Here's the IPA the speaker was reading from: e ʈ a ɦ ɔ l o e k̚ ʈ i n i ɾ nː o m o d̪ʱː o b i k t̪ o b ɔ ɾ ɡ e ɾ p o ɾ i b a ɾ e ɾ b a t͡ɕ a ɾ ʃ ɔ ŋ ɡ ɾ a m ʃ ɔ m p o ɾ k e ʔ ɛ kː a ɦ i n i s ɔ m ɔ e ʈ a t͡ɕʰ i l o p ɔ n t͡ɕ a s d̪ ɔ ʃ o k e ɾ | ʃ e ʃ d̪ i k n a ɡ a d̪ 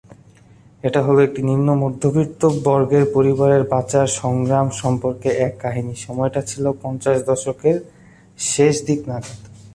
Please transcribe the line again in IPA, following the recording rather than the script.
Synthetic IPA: e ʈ a ɦ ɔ l o e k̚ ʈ i n i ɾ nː o m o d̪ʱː o b i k t̪ o b ɔ ɾ ɡ e ɾ p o ɾ i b a ɾ e ɾ b a t͡ɕ a ɾ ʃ ɔ ŋ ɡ ɾ a m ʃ ɔ m p o ɾ k e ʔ ɛ kː a ɦ i n i ʃ ɔ m ɔ e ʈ a t͡ɕʰ i l o p ɔ n t͡ɕ a ʃ d̪ ɔ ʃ o k e ɾ | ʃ e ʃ d̪ i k n a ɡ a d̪